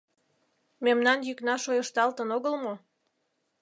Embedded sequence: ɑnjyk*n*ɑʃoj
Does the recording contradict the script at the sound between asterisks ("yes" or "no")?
no